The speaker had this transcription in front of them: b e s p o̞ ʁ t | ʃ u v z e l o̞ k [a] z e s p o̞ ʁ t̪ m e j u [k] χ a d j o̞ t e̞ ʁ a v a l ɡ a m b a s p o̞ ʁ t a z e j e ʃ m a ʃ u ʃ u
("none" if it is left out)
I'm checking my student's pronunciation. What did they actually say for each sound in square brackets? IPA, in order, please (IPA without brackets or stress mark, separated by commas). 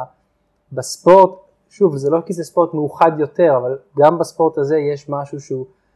i, none